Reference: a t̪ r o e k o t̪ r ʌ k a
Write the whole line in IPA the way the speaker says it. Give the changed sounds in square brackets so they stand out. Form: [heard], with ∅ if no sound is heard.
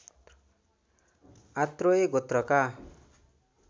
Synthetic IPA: a t̪ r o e [ɡ] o t̪ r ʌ k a